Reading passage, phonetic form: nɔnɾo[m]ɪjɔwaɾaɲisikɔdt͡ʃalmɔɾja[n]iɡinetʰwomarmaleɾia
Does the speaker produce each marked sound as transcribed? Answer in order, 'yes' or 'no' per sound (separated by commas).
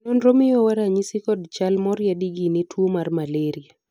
yes, no